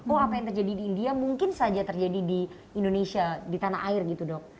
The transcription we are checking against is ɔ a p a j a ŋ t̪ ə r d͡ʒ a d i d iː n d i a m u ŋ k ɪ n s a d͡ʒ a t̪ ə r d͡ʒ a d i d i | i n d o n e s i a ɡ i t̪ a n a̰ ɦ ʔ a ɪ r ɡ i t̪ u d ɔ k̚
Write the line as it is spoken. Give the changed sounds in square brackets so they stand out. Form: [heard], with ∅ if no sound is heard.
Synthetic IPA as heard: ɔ a p a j a ŋ t̪ ə r d͡ʒ a d i d iː n d i a m u ŋ k ɪ n s a d͡ʒ a t̪ ə r d͡ʒ a d i d i | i n d o n e s i a [d] i t̪ a n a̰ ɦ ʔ a ɪ r ɡ i t̪ u d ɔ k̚